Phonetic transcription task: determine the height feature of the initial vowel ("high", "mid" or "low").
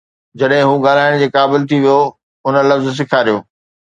low